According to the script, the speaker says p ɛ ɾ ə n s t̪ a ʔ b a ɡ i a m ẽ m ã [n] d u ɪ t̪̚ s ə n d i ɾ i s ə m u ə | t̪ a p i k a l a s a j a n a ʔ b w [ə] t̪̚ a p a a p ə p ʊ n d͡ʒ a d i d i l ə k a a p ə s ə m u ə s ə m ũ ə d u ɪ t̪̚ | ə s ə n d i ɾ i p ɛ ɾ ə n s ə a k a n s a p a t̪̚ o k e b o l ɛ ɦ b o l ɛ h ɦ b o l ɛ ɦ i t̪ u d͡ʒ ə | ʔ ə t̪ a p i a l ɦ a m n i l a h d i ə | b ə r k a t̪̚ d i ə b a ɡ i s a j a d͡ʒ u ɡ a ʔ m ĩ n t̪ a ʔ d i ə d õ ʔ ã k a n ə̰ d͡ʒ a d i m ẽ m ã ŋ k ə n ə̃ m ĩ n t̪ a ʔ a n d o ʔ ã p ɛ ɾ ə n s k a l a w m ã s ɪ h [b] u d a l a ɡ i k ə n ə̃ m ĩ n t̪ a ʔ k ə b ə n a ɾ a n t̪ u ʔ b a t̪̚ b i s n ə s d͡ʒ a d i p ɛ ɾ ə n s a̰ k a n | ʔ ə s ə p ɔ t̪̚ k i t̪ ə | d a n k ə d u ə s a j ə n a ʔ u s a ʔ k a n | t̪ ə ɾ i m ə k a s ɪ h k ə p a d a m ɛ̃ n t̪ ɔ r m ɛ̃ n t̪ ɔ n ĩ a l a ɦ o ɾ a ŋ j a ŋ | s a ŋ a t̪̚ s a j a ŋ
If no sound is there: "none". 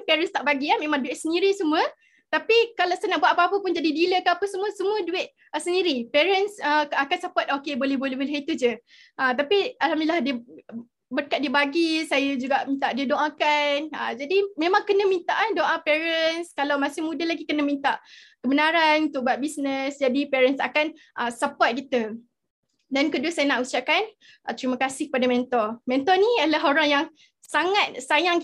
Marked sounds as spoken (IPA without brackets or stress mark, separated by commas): ŋ, a, m